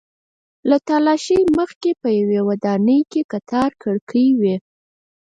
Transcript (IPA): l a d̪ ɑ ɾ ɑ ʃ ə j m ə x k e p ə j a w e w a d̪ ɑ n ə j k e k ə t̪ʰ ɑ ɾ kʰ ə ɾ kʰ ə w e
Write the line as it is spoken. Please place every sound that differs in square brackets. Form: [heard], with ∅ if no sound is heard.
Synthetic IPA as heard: l a [t̪] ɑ [l] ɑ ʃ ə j m ə x k e p ə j a w e w a d̪ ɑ n ə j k e k [a] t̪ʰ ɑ ɾ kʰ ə [ɽ] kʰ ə w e